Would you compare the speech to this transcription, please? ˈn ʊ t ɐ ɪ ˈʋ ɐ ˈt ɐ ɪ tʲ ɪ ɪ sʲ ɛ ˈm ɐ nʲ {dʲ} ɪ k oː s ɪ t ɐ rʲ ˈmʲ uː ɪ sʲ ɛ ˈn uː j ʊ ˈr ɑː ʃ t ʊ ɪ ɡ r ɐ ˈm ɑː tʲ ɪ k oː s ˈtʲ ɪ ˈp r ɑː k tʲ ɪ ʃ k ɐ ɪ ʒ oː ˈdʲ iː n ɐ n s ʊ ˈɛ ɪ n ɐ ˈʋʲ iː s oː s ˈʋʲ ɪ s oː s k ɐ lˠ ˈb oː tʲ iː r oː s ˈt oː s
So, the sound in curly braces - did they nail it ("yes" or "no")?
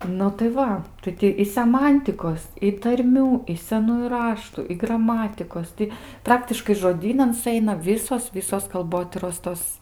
no